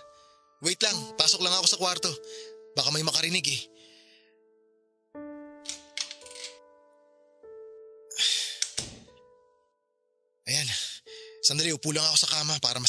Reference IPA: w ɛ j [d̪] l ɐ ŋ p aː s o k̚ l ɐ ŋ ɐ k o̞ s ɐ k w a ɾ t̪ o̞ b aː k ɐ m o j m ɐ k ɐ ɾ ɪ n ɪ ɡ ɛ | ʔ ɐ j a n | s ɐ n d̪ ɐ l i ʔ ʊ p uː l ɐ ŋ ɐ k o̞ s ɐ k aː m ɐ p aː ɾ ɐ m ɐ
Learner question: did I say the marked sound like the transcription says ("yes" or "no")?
no